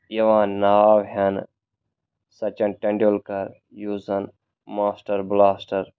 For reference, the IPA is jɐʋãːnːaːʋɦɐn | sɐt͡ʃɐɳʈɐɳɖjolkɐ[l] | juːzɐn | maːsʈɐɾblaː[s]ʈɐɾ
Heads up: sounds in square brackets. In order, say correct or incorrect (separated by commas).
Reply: incorrect, correct